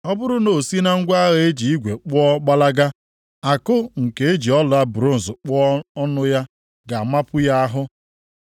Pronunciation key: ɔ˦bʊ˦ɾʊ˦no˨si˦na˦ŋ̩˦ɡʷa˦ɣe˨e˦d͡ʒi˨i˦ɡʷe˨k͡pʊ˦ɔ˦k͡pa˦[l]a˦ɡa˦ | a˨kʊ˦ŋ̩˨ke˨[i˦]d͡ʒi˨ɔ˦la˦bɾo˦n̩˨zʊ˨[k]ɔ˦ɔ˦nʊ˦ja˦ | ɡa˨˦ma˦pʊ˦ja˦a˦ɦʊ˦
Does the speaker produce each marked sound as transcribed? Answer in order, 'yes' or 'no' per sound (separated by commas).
yes, no, no